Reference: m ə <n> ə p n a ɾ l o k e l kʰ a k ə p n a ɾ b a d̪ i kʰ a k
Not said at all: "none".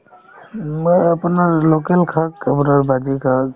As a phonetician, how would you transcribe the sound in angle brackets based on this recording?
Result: none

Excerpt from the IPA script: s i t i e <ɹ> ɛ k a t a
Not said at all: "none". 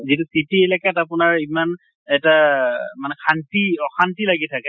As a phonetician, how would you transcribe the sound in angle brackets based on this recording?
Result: l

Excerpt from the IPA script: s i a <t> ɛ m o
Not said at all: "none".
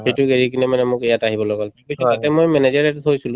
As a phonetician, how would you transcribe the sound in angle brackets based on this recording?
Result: t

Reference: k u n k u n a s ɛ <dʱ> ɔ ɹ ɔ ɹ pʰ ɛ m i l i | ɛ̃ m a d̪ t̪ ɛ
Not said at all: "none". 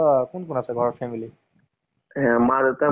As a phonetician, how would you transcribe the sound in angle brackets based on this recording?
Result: ɡʱ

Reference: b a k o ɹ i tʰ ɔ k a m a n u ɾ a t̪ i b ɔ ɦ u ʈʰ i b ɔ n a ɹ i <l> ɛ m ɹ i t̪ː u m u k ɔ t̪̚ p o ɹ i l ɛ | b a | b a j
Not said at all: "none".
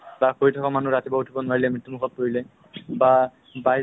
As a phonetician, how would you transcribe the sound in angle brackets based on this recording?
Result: l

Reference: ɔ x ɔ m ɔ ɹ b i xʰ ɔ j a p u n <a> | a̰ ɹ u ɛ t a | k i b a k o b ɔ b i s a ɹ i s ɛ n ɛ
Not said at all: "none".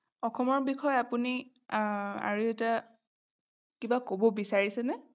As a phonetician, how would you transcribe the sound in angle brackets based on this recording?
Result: i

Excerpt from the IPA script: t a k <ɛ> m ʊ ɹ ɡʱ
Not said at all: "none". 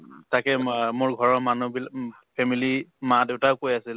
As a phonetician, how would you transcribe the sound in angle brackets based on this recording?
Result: ɛ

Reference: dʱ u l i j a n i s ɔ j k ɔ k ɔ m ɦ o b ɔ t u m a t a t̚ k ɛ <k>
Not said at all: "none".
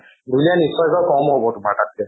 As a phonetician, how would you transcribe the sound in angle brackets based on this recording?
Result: none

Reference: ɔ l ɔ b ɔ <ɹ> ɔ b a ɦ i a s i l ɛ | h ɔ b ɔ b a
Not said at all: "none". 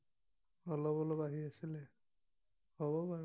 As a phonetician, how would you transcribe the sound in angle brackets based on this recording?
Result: l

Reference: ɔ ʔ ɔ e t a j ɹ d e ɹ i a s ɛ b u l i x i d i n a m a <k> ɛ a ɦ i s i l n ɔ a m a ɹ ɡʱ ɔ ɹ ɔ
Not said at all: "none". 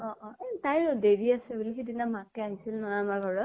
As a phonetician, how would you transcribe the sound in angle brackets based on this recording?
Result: k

